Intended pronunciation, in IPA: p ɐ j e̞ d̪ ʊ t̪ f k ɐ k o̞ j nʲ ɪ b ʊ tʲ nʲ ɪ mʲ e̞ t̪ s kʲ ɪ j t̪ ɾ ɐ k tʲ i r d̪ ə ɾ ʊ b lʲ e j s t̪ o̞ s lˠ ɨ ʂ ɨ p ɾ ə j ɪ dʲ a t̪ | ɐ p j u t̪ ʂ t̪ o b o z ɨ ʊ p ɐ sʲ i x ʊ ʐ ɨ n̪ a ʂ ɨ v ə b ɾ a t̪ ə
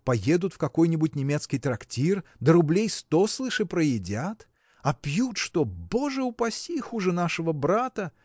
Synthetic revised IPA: p ɐ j e̞ d̪ ʊ t̪ f k ɐ k o̞ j nʲ ɪ b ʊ tʲ nʲ ɪ mʲ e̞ t̪ s kʲ ɪ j t̪ ɾ ɐ k tʲ i r d̪ ə ɾ ʊ b lʲ e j s t̪ o̞ s lˠ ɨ ʂ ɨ p ɾ ə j ɪ dʲ a t̪ | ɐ p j u t̪ ʂ t̪ o b o ʐ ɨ ʊ p ɐ sʲ i x u ʐ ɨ n̪ a ʂ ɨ v ə b ɾ a t̪ ə

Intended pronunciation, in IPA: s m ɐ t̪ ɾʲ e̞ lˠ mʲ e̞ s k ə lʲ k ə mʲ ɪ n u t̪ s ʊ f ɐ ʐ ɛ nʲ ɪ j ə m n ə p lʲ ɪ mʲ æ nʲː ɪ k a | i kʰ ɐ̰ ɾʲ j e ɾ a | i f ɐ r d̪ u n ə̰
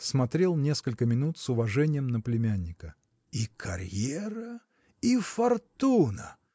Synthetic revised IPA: s m ɐ t̪ ɾʲ e̞ lˠ nʲ e̞ s k ə lʲ k ə mʲ ɪ n u t̪ s ʊ v ɐ ʐ ɛ nʲ ɪ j ə m n ə p lʲ ɪ mʲ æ nʲː ɪ k ə | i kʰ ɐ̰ ɾʲ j e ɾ ə | i f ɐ r t̪ u n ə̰

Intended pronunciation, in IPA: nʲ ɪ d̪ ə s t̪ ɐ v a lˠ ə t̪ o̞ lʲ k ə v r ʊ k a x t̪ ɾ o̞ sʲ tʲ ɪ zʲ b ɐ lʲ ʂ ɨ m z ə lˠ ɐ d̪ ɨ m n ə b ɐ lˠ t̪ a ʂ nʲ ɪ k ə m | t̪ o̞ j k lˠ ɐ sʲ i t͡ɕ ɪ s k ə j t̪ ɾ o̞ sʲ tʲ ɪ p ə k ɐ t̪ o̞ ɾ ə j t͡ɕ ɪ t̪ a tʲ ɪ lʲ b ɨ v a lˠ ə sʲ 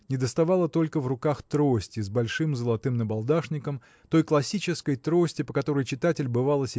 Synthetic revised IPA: nʲ ɪ d̪ ə s t̪ ɐ v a lˠ ə t̪ o̞ lʲ k ə v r ʊ k a x t̪ ɾ o̞ sʲ tʲ ɪ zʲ b ɐ lʲ ʂ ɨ m z ə lˠ ɐ t̪ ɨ m n ə b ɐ lˠ d̪ a ʂ nʲ ɪ k ə m | t̪ o̞ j k lˠ ɐ sʲ i t͡ɕ ɪ s k ə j t̪ ɾ o̞ sʲ tʲ ɪ p ə k ɐ t̪ o̞ ɾ ə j t͡ɕ ɪ t̪ a tʲ ɪ lʲ b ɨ v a lˠ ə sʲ

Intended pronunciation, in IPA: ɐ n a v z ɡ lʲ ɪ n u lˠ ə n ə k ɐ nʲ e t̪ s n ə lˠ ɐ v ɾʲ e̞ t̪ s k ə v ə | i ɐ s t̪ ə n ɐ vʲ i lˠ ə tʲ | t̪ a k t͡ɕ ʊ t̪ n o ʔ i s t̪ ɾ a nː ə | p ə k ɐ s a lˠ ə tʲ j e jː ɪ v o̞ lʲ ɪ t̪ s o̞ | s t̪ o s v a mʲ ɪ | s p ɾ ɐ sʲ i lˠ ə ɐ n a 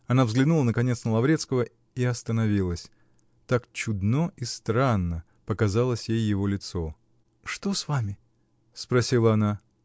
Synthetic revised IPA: ɐ n a v z ɡ lʲ ɪ n u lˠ ə n ə k ɐ nʲ e t̪ s n ə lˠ ɐ v ɾʲ e̞ t̪ s k ə v ə | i ɐ s t̪ ə n ɐ vʲ i lˠ ə sʲ | t̪ a k t͡ɕ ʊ d̪ n o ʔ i s t̪ ɾ a nː ə | p ə k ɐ z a lˠ ə sʲ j e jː ɪ v o̞ lʲ ɪ t̪ s o̞ | ʂ t̪ o s v a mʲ ɪ | s p ɾ ɐ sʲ i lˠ ə ɐ n a

